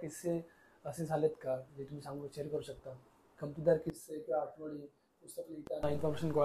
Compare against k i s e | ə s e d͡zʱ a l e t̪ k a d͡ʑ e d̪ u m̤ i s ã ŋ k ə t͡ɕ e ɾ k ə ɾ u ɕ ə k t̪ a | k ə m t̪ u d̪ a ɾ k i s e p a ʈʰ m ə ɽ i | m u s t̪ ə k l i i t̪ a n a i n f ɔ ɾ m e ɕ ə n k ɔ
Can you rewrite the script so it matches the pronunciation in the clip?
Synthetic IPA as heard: k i s e | ə s e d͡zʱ a l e t̪ k a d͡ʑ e t̪ u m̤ i s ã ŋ ɡ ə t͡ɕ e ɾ k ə ɾ u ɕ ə k t̪ a | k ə m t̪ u d̪ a ɾ k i s e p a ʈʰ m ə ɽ i | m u s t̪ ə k l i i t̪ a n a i n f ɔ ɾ m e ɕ ə n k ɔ